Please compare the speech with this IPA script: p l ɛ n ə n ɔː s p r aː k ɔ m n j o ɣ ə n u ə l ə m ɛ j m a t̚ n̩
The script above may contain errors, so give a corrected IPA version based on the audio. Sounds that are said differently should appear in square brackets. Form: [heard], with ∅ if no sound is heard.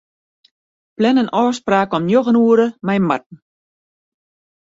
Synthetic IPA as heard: p l ɛ n ə n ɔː s p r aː k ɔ m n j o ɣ ə n u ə [ɾ] ə m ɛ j m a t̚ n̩

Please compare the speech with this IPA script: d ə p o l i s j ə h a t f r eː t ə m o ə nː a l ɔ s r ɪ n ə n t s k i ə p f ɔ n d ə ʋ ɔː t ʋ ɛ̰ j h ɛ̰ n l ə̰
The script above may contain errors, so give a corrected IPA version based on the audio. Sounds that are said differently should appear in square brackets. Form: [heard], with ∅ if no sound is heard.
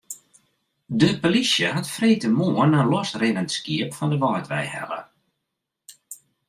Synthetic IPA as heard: d ə p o l i s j ə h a t f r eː t ə m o ə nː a l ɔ s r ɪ n ə n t s k i ə p f ɔ n d ə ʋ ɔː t ʋ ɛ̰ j h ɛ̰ [∅] l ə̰

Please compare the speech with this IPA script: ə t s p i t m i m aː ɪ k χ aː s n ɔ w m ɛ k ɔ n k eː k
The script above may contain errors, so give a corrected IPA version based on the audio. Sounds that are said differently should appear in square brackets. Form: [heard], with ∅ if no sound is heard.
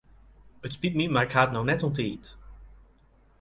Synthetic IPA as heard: ə t s p i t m i m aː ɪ k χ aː [t] n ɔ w [n] ɛ [t] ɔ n [t] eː [t]

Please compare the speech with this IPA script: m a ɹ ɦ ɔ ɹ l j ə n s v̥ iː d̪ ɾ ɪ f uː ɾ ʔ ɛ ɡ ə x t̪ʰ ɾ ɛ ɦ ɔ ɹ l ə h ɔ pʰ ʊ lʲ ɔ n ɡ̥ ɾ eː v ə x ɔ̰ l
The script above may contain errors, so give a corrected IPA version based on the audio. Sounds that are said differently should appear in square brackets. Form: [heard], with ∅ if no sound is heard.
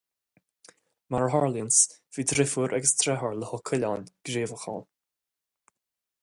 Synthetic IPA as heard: m a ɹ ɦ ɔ ɹ l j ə n s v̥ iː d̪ ɾ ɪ f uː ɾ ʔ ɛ ɡ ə [s] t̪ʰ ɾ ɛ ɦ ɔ ɹ l ə h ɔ [kʰ] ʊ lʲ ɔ n ɡ̥ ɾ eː v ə x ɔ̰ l

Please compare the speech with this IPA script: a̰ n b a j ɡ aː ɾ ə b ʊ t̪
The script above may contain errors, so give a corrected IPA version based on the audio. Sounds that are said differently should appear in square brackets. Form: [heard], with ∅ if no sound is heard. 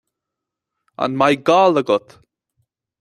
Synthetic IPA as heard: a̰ n [m] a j ɡ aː [l] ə [ɡ] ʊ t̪

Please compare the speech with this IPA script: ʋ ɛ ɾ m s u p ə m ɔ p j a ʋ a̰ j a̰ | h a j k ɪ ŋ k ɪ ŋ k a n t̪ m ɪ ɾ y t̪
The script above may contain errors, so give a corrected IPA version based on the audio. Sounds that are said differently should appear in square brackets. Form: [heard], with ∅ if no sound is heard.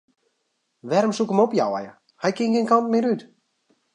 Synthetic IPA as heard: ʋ ɛ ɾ m s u [k] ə m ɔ p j a [w] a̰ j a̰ | h a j k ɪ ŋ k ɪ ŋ k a n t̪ m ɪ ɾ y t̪

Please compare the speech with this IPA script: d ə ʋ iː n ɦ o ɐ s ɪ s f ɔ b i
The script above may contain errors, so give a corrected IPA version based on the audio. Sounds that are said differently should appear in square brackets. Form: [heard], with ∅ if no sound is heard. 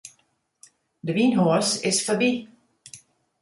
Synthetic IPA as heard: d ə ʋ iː n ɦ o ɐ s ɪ s f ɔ b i

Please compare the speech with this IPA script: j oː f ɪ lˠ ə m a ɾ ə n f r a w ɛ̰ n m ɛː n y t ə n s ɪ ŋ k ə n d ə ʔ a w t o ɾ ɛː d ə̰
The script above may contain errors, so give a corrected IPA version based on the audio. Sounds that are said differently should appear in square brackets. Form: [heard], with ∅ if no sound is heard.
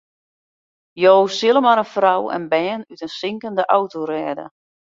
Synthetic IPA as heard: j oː [s] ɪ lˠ ə m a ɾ ə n f r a w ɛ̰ n [b] ɛː n y t ə n s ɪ ŋ k ə n d ə ʔ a w t o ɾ ɛː d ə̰

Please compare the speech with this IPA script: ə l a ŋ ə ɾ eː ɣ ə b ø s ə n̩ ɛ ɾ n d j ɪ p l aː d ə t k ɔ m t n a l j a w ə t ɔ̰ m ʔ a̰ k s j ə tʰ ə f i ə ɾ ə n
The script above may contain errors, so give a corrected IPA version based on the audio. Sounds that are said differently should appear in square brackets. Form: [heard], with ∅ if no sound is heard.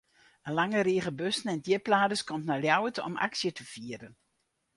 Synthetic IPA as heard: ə l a ŋ ə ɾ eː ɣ ə b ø s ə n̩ ɛ [∅] n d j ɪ p l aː d ə [s] k ɔ m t n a l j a w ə t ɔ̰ m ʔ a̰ k s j ə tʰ ə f i ə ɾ ə n

